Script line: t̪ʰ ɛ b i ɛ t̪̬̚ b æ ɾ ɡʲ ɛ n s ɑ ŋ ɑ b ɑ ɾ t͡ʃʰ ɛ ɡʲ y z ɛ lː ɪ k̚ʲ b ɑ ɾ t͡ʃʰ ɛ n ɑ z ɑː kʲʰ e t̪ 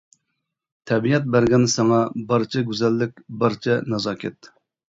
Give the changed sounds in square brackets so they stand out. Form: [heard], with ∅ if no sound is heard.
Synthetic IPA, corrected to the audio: t̪ʰ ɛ b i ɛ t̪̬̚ b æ ɾ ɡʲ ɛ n s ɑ ŋ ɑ b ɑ ɾ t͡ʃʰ ɛ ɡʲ y z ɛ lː ɪ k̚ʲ b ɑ ɾ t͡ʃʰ ɛ n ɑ z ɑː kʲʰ [ɛ] t̪